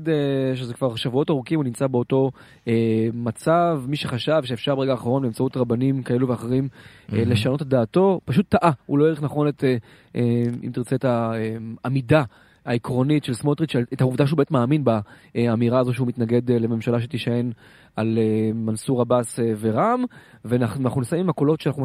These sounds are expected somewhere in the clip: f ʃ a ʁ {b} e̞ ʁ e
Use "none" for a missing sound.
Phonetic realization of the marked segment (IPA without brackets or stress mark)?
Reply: b